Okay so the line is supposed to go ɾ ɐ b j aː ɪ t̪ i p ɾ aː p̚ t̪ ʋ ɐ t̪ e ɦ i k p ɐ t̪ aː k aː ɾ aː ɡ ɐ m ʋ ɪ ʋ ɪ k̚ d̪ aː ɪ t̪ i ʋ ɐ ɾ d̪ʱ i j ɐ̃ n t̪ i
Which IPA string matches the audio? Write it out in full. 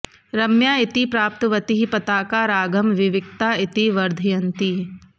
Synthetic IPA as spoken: ɾ ɐ m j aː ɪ t̪ i p ɾ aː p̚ t̪ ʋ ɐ t̪ i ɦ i p ɐ t̪ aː k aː ɾ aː ɡ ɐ m ʋ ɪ ʋ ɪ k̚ t̪ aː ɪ t̪ i ʋ ɐ ɾ d̪ʱ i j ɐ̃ n t̪ i